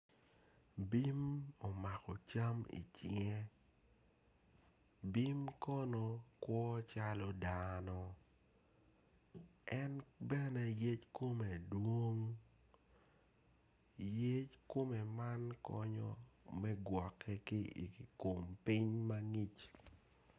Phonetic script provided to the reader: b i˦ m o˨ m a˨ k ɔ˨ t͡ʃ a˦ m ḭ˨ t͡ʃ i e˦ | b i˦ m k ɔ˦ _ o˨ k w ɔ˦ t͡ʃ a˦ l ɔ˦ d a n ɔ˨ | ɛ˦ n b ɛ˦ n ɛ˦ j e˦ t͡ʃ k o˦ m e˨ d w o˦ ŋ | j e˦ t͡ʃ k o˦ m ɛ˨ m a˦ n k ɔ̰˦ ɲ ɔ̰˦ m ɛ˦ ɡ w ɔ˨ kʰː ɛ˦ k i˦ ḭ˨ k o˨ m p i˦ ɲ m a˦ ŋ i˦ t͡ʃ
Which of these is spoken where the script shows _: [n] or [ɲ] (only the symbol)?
n